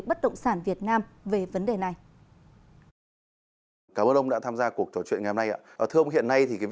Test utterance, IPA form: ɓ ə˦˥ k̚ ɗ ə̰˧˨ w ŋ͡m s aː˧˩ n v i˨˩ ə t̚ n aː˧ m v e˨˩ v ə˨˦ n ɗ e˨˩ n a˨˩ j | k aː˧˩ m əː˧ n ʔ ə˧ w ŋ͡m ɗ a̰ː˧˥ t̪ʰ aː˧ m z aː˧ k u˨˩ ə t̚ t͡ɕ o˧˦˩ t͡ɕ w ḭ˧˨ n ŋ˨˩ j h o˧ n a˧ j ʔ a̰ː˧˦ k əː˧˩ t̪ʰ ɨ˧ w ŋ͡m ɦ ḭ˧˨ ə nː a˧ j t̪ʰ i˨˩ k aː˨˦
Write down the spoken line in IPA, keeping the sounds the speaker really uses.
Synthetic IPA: ɓ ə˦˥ t̚ ɗ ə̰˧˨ w ŋ͡m s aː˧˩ n v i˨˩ ə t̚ n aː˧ m v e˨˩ v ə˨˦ n ɗ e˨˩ n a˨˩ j | k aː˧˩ m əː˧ n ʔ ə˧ w ŋ͡m ɗ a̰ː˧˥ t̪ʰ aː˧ m z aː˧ k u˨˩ ə k̚ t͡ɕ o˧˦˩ t͡ɕ w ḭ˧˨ n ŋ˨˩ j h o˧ n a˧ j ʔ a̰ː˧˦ ʔ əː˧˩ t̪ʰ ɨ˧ w ŋ͡m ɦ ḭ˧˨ ə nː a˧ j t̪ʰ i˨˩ k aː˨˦